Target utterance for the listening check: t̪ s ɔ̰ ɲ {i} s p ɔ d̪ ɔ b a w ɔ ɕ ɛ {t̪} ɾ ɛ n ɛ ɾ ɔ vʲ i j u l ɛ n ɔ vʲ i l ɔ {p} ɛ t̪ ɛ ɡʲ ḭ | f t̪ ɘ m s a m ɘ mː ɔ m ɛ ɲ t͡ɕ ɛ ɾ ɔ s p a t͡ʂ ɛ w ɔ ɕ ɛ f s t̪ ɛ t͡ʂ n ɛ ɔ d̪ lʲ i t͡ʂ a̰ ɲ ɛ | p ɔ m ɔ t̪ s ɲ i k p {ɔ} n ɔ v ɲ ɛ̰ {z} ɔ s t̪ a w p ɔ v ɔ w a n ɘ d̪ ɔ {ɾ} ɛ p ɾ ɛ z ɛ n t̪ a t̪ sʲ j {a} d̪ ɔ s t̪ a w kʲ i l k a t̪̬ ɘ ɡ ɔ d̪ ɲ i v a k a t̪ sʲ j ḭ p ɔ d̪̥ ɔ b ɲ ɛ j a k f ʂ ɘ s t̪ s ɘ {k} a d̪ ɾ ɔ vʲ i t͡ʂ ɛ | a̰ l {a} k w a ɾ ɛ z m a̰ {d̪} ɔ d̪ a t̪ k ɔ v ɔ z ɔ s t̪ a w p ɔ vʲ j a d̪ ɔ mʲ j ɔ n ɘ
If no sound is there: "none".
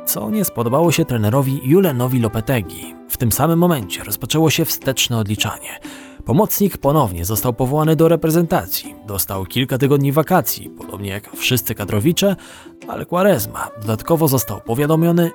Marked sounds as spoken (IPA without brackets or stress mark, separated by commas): ɛ, t̪, p, ɔ, z, ɾ, i, k, ɛ, d̪